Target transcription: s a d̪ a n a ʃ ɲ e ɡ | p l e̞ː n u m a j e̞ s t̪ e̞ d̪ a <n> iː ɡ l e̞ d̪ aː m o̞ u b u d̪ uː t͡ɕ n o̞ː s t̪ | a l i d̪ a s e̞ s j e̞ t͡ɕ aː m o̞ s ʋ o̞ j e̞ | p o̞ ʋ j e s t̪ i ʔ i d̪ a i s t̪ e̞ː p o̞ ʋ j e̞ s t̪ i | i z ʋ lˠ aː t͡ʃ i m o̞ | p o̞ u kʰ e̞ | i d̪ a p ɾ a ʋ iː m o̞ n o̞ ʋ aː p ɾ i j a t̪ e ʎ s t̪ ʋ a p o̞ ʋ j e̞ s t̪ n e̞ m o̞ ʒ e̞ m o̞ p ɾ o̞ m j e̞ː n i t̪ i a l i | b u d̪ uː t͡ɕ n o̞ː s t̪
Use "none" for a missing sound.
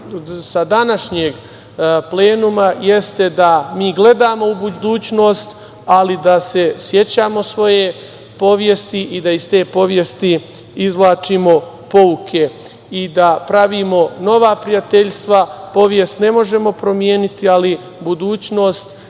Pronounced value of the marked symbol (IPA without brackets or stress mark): m